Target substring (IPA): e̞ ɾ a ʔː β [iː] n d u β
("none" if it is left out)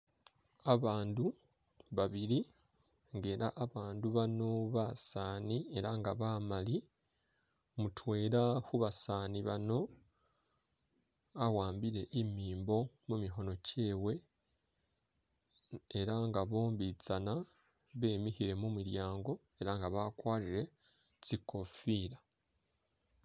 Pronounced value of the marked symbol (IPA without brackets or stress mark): aː